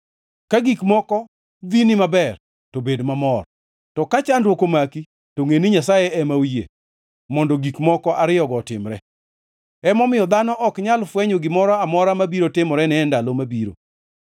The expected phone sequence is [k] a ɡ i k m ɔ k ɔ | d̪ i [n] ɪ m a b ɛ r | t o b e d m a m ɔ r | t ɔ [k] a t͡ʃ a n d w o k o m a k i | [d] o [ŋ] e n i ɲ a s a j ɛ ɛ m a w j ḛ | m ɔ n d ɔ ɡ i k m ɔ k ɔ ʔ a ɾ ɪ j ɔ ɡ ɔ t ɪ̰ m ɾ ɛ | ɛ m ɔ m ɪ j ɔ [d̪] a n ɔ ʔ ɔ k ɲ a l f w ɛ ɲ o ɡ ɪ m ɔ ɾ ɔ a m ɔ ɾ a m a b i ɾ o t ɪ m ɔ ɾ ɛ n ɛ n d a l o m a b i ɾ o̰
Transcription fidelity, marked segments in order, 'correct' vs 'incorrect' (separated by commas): correct, correct, correct, incorrect, correct, correct